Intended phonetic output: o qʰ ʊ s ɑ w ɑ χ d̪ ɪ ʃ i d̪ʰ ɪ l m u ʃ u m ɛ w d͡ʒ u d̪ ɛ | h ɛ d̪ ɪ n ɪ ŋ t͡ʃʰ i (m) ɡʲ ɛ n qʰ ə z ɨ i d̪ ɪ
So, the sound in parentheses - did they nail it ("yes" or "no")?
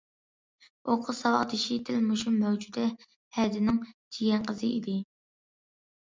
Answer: no